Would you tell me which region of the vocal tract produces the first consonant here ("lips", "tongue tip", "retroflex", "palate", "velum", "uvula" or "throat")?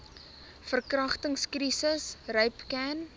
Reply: lips